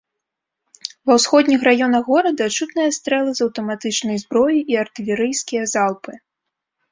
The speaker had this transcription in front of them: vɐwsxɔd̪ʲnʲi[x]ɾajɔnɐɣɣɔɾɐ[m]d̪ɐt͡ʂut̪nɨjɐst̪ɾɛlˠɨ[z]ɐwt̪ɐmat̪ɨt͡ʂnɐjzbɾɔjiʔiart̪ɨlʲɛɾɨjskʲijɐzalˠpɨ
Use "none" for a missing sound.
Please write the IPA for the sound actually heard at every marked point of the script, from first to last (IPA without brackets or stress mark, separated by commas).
x, none, z